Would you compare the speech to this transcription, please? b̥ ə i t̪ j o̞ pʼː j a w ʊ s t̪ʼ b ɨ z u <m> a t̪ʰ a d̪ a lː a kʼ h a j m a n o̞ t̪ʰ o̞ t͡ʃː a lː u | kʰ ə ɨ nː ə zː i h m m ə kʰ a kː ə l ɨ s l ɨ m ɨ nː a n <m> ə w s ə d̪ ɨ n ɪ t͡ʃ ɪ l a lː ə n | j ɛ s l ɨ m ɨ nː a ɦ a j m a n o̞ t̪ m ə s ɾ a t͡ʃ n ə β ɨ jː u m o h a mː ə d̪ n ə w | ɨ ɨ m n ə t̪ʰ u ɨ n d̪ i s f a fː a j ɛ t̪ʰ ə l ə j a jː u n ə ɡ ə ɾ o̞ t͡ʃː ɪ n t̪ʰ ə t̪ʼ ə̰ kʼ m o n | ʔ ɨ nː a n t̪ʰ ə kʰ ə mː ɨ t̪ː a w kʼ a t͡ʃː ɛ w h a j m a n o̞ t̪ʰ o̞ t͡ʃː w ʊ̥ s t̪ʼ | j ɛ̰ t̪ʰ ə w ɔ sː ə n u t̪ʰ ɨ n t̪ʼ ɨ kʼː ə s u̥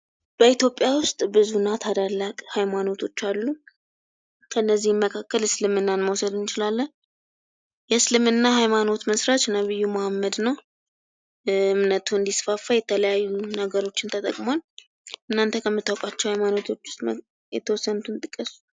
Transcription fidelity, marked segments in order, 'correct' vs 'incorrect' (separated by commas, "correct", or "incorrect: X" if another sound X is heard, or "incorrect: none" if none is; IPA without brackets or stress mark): incorrect: n, correct